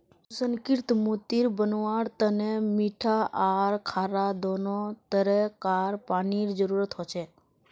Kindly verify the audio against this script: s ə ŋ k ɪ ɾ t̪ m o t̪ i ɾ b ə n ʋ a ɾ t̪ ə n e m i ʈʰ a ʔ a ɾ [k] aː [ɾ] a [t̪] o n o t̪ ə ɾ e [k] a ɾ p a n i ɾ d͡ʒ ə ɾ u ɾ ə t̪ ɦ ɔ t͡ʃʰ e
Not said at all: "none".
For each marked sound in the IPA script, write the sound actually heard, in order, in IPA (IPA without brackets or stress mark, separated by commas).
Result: kʰ, ɾ, d̪, k